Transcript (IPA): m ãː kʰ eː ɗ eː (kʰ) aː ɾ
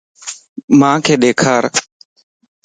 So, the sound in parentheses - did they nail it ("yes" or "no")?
yes